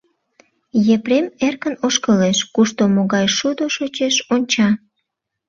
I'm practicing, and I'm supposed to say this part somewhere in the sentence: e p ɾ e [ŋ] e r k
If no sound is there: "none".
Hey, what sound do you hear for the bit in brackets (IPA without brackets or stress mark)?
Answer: m